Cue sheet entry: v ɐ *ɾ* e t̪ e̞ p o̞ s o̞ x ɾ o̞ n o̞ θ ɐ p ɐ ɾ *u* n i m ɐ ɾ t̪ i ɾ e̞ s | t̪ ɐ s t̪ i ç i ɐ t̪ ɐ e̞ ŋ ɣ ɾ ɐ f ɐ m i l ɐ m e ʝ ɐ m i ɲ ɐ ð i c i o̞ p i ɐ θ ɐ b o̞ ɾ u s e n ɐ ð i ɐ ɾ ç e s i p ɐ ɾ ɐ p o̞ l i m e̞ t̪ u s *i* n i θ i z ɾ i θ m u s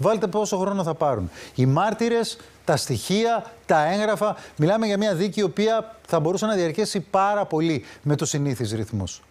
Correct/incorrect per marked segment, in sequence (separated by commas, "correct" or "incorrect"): incorrect, correct, correct